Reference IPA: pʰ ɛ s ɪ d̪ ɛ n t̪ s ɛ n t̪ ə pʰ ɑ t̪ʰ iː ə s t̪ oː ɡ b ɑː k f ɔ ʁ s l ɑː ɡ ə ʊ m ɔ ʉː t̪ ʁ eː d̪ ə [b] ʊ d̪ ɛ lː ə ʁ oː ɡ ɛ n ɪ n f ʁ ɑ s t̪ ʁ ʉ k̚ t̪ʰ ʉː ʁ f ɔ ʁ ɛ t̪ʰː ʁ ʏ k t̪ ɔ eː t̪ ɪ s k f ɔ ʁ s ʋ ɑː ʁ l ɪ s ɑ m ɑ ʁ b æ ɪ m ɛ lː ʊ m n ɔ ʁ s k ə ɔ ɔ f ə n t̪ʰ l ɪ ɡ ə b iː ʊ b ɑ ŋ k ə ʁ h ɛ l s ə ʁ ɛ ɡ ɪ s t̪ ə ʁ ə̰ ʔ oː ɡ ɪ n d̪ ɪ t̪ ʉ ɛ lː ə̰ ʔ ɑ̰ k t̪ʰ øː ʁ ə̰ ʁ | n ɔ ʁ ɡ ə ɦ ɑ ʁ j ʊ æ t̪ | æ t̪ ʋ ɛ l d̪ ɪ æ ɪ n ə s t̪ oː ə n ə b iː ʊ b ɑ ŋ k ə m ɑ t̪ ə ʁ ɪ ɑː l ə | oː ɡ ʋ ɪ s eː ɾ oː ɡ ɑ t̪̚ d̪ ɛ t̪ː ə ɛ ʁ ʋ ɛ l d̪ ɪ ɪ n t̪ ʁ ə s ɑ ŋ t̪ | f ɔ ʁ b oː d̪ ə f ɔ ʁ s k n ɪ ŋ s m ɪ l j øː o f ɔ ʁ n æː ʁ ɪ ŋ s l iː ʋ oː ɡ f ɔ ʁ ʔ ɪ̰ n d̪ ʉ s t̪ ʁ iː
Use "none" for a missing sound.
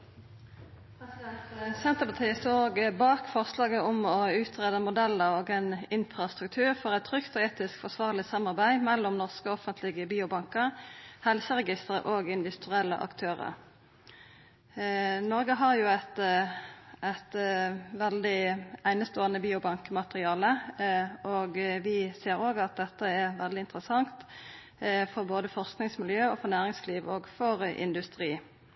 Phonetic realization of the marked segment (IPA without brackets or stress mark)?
m